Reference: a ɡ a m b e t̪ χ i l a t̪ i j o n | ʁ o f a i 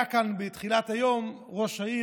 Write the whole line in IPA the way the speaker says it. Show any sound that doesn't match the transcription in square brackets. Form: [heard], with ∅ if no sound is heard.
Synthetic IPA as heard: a [k] a [n] b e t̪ χ i l a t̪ [a] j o [m] | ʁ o [ʃ] a i